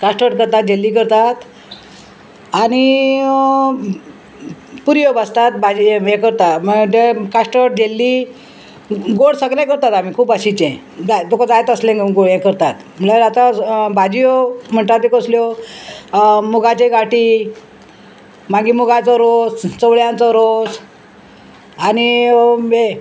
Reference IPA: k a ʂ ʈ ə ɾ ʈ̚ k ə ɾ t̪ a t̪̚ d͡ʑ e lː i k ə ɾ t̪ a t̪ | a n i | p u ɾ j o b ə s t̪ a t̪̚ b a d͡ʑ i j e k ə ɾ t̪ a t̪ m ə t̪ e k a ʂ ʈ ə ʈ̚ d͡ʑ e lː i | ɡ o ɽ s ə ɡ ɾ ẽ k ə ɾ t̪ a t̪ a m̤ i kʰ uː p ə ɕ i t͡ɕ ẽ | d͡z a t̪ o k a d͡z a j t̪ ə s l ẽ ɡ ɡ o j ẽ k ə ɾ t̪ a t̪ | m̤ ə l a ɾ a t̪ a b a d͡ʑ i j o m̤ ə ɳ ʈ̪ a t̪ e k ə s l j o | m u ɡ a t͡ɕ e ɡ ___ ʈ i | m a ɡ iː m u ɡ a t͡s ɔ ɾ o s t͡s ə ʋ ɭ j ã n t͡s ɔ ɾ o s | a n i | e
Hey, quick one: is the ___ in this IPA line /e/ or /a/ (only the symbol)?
a